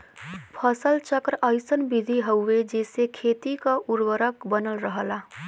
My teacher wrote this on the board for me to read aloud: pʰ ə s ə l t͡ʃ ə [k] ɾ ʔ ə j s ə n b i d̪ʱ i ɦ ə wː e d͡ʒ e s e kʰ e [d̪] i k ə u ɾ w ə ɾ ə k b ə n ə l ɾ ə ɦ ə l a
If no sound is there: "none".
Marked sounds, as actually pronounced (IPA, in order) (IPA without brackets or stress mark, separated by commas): k, t̪